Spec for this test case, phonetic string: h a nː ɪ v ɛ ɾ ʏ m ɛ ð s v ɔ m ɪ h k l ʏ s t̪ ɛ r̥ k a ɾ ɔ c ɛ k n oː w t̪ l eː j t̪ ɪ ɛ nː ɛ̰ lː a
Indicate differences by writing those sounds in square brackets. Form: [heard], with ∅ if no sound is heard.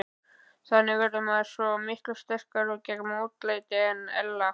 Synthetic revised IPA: [θ] a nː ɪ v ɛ ɾ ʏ m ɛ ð s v ɔ m ɪ h k l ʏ s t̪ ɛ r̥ k a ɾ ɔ c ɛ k [m] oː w t̪ l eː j t̪ ɪ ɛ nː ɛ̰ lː a